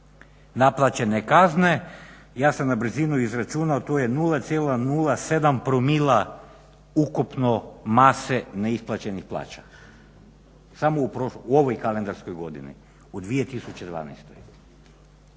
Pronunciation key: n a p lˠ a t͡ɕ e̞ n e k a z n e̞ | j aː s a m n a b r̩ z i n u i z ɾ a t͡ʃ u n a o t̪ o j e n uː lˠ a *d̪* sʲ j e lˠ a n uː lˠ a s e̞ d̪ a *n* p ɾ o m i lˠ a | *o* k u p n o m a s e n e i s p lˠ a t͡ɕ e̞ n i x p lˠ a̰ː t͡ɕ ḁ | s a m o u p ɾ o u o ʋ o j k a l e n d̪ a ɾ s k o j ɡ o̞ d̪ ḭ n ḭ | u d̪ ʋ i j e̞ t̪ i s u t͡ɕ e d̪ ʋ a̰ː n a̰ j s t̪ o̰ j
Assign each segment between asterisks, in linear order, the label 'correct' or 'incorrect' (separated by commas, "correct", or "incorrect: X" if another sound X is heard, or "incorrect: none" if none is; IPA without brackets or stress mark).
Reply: incorrect: t̪, incorrect: m, incorrect: u